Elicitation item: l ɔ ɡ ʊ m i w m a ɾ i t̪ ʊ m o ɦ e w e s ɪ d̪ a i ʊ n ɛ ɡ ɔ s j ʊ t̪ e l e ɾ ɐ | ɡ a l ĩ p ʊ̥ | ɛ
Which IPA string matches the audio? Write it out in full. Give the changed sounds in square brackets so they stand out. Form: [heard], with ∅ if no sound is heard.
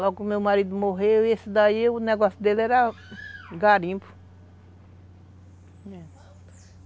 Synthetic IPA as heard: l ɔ ɡ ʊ m [e] w m a ɾ i [d̪] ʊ m o ɦ e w e s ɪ d̪ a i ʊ n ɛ ɡ ɔ s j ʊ [d̪] e l [ɛ] ɾ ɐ | ɡ a [ɾ] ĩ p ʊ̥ | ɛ